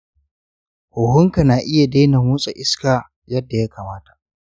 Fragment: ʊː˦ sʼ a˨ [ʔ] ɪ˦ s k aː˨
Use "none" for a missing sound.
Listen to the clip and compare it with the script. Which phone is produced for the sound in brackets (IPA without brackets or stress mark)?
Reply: ʔ